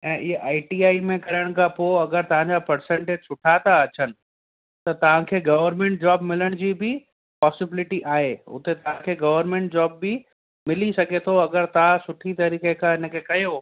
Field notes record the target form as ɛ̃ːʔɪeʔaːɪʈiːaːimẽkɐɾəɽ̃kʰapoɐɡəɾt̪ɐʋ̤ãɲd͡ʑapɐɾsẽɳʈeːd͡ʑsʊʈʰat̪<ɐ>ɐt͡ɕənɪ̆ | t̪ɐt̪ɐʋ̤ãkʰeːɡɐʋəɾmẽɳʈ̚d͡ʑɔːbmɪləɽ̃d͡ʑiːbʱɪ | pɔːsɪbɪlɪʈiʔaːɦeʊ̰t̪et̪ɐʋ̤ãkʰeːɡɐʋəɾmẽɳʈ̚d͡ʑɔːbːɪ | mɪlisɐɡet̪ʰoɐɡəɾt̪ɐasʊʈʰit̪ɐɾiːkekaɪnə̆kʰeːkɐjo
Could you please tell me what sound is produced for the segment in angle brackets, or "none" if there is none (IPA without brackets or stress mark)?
a